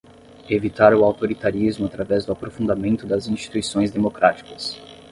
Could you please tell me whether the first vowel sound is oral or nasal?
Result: oral